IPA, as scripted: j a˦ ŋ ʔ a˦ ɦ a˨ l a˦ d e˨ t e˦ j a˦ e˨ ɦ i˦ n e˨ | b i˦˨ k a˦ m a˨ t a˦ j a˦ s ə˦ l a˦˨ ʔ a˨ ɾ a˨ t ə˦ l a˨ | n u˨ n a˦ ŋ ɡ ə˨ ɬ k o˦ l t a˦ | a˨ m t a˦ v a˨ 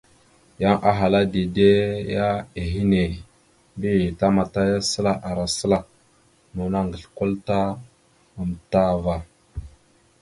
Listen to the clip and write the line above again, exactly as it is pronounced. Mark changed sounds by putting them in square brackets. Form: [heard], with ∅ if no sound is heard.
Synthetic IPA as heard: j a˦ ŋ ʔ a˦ ɦ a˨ l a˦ d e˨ [d] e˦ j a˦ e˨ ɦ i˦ n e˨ | b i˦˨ [t] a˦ m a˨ t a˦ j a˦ s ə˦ l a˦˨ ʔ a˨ ɾ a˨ [s] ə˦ l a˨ | n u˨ n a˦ ŋ ɡ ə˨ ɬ k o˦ l t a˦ | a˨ m t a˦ v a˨